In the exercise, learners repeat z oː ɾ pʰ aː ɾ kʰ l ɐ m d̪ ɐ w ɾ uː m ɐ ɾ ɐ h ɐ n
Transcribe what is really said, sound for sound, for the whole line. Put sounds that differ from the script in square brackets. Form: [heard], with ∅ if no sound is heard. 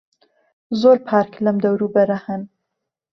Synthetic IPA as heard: z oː ɾ pʰ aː ɾ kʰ l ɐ m d̪ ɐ w ɾ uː [b] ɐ ɾ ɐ h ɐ n